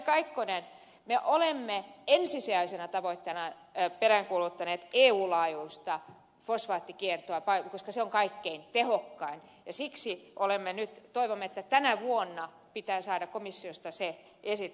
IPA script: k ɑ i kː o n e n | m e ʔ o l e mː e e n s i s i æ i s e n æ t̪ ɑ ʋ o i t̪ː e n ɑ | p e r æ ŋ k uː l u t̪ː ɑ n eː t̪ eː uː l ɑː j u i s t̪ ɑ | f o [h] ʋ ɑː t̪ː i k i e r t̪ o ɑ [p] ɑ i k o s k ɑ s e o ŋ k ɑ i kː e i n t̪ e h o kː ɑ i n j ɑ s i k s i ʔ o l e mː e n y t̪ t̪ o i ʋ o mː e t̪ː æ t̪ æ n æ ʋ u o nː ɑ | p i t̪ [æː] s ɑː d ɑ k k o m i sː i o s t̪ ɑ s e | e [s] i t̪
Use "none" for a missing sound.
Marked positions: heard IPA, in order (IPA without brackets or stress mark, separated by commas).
s, p, æː, s